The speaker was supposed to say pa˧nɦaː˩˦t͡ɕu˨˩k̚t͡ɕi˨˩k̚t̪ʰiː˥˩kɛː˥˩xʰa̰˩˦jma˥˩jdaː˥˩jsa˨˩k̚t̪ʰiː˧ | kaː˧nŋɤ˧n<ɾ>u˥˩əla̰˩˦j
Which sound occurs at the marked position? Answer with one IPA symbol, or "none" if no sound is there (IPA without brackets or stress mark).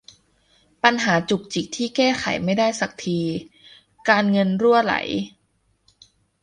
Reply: ɾ